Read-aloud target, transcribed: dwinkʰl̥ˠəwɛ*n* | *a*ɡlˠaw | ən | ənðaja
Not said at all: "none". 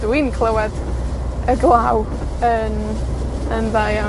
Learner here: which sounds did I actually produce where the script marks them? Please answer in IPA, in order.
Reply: d, ə

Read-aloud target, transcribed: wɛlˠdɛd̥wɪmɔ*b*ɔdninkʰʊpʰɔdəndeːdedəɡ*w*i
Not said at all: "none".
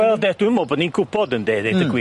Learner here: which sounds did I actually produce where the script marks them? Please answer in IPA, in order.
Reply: b, w

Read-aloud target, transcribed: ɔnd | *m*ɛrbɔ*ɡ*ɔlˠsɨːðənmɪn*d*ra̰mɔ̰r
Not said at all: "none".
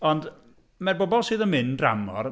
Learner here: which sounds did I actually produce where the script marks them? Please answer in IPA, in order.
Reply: m, b, d

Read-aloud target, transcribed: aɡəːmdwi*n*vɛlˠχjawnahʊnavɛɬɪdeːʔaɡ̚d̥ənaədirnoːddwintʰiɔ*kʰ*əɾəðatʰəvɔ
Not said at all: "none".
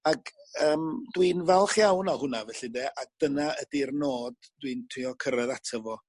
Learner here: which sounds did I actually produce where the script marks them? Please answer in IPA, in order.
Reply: n, kʰ

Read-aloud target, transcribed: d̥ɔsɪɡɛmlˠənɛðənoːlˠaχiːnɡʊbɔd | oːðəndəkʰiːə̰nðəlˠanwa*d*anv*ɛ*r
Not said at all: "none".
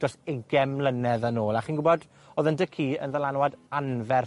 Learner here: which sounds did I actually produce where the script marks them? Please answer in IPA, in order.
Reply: d, ɛ

